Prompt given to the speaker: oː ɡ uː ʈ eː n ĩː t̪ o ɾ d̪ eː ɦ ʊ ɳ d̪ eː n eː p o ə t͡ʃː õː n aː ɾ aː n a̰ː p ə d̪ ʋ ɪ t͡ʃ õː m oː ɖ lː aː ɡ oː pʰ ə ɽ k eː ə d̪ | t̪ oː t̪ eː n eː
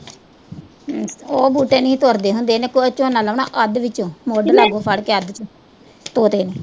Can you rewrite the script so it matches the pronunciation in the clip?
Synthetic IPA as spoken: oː b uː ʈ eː n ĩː t̪ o ɾ d̪ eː ɦ ʊ n d̪ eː n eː k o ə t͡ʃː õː n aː l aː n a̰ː ʔ ə d̪ ʋ ɪ t͡ʃ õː m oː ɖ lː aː ɡ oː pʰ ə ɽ k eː ə d̪ | t̪ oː t̪ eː n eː